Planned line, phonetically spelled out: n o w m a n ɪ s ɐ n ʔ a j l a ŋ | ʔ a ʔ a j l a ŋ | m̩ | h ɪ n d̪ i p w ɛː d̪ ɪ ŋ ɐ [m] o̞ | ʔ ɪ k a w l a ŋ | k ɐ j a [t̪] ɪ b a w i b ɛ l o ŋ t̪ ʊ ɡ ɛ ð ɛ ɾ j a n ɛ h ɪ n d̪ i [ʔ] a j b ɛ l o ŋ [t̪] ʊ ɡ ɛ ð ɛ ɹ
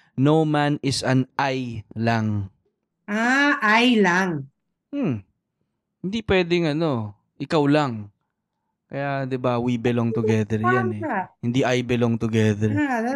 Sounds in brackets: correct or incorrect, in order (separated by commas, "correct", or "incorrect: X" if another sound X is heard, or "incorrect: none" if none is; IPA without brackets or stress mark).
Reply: incorrect: n, incorrect: d̪, correct, correct